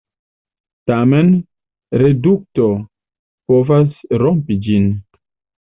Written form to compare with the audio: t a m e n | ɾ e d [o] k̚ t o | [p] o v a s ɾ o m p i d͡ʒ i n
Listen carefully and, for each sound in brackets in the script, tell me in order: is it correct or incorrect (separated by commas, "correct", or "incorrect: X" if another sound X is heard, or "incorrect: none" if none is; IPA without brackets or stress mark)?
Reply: incorrect: u, correct